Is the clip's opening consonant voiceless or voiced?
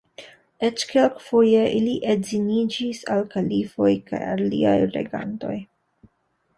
voiceless